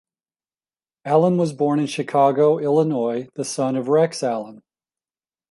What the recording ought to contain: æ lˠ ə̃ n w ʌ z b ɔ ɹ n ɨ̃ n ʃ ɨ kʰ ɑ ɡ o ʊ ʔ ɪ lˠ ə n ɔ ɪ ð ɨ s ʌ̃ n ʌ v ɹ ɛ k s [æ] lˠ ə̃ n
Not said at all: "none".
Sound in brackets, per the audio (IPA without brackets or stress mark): æ